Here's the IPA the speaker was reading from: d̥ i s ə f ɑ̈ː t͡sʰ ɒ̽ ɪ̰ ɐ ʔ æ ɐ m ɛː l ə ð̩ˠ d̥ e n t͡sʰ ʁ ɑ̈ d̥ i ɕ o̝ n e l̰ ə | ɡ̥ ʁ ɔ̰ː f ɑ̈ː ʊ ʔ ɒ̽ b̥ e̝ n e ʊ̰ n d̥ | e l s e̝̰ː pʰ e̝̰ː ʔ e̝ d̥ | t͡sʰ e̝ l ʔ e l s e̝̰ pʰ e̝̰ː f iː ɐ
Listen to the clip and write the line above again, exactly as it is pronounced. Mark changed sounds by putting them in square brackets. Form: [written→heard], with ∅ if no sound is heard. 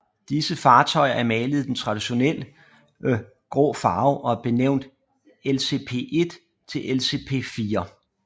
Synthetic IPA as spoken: d̥ i s ə f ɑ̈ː t͡sʰ ɒ̽ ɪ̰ ɐ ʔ æ ɐ m ɛː l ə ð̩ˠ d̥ e n t͡sʰ ʁ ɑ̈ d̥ i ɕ o̝ n e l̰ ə | ɡ̥ ʁ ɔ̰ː f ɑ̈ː ʊ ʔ ɒ̽ b̥ e̝ n e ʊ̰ n d̥ | e l s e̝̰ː pʰ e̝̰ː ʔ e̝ d̥ | t͡sʰ e̝ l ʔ e l s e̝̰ pʰ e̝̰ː f iː ɐ